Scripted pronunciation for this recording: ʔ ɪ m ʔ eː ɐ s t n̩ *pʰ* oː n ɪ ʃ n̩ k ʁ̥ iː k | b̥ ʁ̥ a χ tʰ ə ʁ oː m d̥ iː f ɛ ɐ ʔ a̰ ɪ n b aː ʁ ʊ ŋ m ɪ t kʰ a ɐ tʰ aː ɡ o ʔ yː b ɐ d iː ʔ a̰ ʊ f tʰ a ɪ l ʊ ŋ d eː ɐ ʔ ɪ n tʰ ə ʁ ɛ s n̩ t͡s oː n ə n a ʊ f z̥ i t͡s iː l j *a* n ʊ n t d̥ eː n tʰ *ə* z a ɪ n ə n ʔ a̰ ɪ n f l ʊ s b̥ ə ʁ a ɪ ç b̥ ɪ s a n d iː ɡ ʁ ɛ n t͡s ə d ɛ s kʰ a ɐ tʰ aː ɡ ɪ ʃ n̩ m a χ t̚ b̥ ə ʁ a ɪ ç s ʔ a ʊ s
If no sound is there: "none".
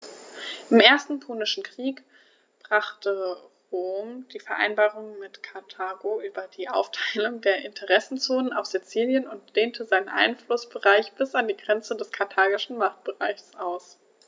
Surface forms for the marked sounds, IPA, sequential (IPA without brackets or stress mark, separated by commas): pʰ, ə, ə